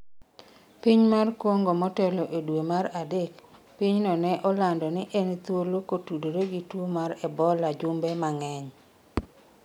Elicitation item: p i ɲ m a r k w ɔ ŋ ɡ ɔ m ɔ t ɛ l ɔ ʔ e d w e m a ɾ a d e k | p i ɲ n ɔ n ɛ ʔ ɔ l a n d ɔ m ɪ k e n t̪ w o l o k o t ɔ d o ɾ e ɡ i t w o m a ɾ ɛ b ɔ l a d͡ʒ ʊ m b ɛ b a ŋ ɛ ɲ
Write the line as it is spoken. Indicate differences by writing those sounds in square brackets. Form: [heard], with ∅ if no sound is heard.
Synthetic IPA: p i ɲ m a r k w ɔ ŋ ɡ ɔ m ɔ t ɛ l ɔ ʔ e d w e m a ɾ a d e k | p i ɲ n ɔ n ɛ ʔ ɔ l a n d ɔ [n] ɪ [ʔ] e n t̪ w o l o k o t [u] d o ɾ e ɡ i t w o m a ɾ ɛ b ɔ l a d͡ʒ ʊ m b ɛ [m] a ŋ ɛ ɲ